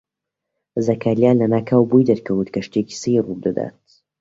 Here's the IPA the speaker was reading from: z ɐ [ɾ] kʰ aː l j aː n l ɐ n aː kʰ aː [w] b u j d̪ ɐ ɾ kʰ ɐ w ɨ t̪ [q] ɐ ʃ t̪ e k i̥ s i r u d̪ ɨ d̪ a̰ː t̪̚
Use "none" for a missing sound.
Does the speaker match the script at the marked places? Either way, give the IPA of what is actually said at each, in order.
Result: none, w, k

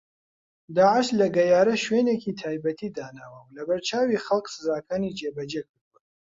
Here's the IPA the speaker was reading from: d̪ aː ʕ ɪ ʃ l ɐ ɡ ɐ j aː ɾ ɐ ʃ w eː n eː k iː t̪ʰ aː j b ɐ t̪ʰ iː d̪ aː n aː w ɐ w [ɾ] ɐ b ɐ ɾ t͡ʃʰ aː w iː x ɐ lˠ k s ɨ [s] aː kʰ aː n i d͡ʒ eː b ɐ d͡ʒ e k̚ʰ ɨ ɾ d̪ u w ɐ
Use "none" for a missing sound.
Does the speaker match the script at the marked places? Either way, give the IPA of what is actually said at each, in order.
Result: l, z

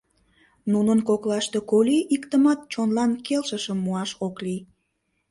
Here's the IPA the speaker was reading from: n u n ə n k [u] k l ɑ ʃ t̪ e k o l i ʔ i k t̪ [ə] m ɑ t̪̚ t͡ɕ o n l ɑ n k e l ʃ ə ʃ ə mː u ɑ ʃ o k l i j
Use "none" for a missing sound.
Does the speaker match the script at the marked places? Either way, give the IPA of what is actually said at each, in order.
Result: o, ə

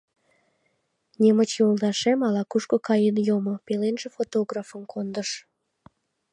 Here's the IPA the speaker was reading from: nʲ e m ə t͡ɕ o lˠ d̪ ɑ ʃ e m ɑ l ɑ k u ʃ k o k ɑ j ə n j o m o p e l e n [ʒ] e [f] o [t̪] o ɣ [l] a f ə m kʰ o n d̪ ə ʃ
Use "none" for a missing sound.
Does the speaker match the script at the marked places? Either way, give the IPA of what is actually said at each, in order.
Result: ʒ, f, t̪, r

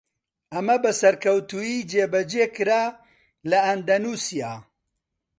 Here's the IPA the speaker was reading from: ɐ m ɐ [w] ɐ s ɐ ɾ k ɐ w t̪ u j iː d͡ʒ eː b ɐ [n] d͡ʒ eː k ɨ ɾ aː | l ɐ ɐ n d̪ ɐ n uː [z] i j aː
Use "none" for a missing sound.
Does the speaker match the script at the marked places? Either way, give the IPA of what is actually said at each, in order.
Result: b, none, s

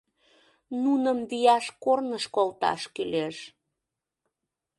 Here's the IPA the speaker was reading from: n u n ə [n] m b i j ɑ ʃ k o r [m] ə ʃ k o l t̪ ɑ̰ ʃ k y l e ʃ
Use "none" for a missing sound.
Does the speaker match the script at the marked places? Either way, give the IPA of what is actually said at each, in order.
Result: none, n

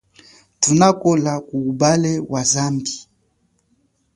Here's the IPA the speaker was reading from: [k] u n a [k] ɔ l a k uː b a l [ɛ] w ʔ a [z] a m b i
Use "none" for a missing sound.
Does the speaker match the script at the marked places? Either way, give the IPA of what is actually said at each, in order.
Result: t, k, ɛ, z

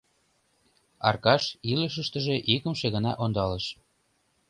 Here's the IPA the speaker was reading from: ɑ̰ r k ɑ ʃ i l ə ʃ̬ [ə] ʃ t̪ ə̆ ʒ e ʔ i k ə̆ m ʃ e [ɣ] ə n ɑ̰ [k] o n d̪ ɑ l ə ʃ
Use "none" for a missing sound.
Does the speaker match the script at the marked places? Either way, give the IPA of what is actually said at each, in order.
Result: ə, ɣ, ʔ

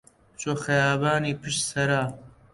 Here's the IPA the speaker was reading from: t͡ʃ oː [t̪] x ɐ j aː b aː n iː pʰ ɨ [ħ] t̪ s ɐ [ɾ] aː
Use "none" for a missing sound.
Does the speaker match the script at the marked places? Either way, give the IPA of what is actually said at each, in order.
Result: none, ʃ, ɾ

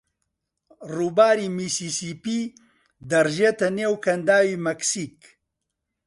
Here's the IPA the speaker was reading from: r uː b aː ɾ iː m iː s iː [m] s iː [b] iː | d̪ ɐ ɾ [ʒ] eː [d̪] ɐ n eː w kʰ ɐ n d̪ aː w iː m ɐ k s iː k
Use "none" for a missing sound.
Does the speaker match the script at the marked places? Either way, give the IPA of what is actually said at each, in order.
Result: none, p, ʒ, t̪

